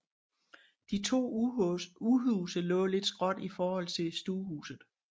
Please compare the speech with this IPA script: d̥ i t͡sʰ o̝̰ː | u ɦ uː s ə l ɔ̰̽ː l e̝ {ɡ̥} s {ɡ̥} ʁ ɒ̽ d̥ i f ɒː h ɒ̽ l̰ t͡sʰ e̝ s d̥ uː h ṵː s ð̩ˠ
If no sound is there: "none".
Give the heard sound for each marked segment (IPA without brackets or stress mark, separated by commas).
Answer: d̥, ɡ̥